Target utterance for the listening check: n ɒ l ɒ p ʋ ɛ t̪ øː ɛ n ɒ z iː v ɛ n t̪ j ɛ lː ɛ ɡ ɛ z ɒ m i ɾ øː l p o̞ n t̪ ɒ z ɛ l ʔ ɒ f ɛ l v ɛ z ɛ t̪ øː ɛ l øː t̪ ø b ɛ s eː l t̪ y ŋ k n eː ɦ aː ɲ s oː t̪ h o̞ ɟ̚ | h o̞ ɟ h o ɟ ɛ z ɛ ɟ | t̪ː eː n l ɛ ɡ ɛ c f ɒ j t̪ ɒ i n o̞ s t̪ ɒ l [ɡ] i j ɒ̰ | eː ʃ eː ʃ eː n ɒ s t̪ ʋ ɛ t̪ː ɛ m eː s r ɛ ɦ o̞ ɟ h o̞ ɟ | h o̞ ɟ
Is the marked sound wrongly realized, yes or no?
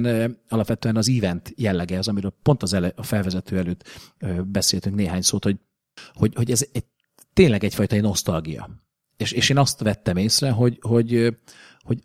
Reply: no